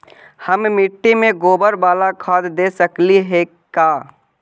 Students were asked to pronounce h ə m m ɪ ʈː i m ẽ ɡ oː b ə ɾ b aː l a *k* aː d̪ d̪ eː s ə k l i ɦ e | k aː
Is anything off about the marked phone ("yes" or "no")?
yes